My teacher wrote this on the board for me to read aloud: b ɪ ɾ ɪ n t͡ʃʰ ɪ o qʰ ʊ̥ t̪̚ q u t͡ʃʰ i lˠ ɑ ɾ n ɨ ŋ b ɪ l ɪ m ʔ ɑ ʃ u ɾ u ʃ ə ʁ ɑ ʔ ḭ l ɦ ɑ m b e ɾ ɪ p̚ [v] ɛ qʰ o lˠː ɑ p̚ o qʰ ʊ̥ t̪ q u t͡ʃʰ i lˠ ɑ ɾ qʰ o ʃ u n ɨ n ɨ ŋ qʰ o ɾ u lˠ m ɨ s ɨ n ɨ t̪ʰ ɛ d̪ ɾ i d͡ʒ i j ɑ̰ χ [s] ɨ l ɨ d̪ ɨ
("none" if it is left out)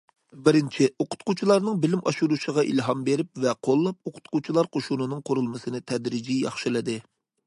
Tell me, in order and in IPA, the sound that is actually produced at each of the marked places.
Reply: v, ʃ

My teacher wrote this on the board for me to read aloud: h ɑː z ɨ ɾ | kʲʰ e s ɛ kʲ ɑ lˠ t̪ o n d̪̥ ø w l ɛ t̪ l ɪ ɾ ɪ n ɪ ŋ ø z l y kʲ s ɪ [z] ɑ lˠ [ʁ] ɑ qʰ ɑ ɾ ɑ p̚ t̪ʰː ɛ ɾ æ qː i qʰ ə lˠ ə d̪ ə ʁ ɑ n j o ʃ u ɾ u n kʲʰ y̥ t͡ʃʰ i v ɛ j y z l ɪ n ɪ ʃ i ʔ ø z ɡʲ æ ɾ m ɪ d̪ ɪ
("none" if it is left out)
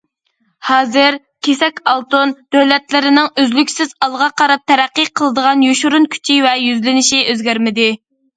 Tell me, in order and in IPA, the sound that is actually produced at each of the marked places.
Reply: z, ʁ

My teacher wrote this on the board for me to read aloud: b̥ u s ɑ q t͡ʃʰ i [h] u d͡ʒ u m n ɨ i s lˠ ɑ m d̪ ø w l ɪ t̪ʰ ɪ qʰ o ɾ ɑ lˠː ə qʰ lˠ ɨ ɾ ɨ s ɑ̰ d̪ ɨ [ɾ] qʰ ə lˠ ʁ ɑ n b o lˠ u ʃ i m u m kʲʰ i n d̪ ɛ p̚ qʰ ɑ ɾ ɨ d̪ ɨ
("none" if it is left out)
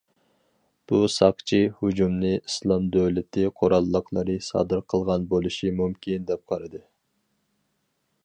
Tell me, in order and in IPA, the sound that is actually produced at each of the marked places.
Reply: h, ɾ

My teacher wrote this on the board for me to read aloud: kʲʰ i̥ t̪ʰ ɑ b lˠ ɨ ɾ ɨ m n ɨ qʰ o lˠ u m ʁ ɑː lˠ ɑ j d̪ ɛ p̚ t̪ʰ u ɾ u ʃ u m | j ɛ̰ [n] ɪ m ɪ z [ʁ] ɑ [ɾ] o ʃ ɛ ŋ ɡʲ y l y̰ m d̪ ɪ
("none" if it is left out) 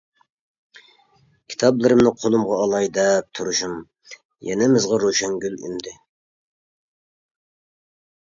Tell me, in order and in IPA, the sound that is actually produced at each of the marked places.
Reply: n, ʁ, ɾ

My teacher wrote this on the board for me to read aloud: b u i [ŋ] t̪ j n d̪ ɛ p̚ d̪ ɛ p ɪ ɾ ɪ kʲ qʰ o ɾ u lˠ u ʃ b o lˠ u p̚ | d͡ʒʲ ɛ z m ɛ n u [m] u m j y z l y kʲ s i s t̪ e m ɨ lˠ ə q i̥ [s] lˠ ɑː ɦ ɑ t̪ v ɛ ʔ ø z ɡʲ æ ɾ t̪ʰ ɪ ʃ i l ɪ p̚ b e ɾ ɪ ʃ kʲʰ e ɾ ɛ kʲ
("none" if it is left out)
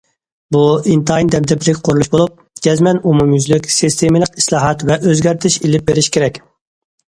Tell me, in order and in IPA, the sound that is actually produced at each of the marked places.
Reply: n, m, s

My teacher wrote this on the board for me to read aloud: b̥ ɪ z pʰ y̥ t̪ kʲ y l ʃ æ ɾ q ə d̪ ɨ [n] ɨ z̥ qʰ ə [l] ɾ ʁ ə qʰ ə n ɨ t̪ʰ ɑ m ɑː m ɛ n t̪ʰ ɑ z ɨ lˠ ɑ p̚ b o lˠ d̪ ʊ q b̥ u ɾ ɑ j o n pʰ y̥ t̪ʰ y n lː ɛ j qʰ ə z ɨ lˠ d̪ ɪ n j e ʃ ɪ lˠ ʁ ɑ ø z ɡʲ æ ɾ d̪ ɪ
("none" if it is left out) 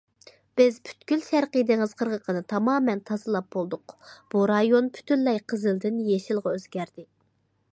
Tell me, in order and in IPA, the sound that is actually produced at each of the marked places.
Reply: ŋ, none

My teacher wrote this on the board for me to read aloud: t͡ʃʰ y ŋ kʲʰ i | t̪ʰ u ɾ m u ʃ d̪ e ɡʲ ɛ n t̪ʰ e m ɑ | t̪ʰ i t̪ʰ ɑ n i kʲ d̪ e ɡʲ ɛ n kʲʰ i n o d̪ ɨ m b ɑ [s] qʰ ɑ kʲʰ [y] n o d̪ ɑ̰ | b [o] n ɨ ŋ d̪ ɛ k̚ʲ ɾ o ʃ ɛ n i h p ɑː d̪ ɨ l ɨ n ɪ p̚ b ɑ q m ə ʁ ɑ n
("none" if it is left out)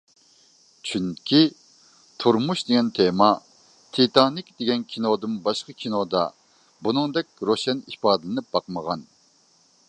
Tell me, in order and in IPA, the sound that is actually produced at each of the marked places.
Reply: ʃ, i, u

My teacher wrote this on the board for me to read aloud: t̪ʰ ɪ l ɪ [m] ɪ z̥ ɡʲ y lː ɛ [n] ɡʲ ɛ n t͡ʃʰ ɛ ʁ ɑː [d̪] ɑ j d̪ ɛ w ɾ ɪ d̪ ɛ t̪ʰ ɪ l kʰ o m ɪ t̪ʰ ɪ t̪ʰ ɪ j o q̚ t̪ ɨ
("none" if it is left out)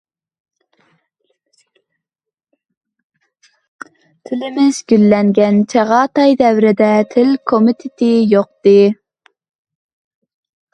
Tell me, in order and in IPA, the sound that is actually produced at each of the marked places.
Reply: m, ŋ, t̪

